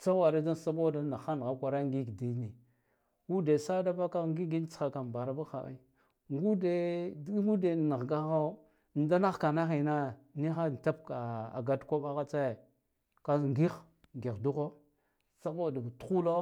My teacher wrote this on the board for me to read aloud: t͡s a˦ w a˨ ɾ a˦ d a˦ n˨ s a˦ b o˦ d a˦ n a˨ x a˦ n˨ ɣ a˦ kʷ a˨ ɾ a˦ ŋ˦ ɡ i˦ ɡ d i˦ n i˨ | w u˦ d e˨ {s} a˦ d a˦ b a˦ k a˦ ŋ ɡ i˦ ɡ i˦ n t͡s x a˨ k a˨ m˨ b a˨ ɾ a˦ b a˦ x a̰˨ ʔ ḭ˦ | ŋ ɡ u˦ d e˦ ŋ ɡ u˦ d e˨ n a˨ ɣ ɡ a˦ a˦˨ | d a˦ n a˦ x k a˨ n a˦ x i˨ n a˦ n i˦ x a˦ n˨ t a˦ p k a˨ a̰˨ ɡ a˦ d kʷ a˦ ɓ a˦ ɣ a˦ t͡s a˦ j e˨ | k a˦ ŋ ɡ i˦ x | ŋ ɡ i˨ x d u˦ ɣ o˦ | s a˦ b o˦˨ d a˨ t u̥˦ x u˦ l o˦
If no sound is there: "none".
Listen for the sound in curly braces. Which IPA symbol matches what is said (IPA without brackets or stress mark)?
s